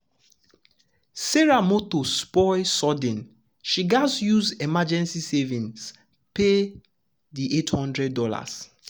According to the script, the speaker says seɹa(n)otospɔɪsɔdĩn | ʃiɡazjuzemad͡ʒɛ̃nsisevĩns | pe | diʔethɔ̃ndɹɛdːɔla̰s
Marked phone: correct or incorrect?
incorrect